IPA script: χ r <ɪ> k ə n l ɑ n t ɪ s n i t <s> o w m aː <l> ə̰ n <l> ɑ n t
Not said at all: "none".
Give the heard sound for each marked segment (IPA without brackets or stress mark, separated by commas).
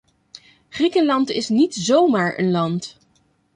i, z, ɹ, l